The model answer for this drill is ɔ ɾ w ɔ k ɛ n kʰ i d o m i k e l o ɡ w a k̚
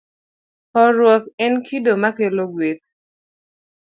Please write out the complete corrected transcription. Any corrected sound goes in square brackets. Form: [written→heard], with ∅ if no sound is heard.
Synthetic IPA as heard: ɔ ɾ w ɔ k ɛ n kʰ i d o m [i→a] k e l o ɡ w [a→e] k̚